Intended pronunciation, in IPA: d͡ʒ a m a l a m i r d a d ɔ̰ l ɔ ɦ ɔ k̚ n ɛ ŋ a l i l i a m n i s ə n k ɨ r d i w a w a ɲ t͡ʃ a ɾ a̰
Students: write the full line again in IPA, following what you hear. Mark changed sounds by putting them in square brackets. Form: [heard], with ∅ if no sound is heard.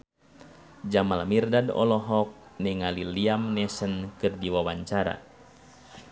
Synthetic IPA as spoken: d͡ʒ a m a l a m i r d a d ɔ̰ l ɔ ɦ ɔ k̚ n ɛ ŋ a l i l i a m n [ɛ] s ə n k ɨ r d i w a w a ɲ t͡ʃ a ɾ a̰